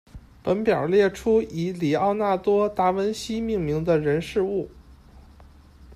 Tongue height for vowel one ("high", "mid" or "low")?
mid